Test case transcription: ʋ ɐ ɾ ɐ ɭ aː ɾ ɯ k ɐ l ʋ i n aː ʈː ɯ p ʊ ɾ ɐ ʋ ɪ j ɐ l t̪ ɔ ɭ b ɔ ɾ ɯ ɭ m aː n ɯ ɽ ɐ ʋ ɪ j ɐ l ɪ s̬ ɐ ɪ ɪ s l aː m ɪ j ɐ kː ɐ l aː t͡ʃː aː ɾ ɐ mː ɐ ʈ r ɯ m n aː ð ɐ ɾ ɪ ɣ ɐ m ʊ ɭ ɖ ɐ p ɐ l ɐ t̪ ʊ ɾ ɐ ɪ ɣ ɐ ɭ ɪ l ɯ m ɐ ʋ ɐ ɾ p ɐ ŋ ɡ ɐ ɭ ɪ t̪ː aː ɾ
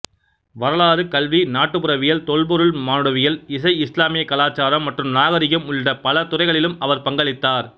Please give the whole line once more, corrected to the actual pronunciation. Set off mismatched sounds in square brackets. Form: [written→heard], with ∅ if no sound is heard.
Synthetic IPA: ʋ ɐ ɾ ɐ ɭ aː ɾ ɯ k ɐ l ʋ i n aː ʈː ɯ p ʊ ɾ ɐ ʋ ɪ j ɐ l t̪ ɔ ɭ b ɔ ɾ ɯ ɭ m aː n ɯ ɽ ɐ ʋ ɪ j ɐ l ɪ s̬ ɐ ɪ ɪ s l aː m ɪ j ɐ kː ɐ l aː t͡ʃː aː ɾ ɐ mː ɐ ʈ r ɯ m n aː [ð→ɣ] ɐ ɾ ɪ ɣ ɐ m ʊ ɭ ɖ ɐ p ɐ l ɐ t̪ ʊ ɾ ɐ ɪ ɣ ɐ ɭ ɪ l ɯ m ɐ ʋ ɐ ɾ p ɐ ŋ ɡ ɐ ɭ ɪ t̪ː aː ɾ